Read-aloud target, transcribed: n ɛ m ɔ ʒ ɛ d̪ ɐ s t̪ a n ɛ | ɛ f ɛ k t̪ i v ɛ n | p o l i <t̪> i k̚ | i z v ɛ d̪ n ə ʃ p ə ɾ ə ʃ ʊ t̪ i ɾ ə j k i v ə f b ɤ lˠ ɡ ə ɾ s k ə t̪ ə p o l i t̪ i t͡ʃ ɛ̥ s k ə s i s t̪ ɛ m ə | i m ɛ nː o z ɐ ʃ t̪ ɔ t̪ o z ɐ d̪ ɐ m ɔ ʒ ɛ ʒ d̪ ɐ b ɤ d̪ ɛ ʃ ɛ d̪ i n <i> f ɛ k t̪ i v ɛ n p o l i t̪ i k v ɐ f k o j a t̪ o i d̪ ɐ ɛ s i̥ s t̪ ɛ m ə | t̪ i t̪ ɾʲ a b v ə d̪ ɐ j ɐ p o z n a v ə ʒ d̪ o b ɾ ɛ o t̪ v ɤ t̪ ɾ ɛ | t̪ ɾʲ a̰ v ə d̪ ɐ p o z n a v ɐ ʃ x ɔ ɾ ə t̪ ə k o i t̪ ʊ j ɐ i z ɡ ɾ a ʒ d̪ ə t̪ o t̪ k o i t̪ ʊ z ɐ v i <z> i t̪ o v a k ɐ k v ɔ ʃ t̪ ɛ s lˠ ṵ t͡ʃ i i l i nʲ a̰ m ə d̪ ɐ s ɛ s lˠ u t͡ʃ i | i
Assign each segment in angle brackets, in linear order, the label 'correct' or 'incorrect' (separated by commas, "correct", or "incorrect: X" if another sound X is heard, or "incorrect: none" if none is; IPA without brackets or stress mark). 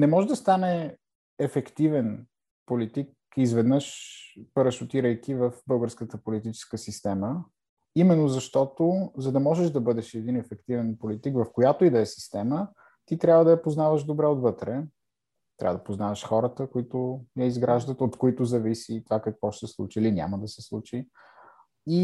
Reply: correct, incorrect: ɛ, incorrect: s